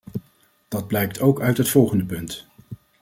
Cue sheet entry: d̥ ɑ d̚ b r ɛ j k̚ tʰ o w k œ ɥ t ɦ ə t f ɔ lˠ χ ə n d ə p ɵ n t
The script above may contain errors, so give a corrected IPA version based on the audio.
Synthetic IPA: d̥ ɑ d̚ b l ɛ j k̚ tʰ o w k œ ɥ t ɦ ə t f ɔ lˠ χ ə n d ə p ɵ n t